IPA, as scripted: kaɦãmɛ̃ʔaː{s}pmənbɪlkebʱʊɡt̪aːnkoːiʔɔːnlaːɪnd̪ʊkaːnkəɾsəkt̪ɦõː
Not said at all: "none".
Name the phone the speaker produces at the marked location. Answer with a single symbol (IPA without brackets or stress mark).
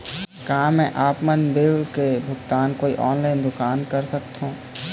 none